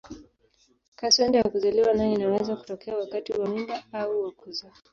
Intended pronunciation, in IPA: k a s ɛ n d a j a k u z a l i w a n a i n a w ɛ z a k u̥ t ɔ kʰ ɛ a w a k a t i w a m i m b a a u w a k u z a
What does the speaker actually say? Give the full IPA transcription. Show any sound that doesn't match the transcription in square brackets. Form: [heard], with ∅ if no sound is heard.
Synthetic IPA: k a s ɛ n d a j a k u z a l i w a n a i n a w ɛ z a k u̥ t ɔ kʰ ɛ a w a k a t i w a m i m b a a u w a k u z a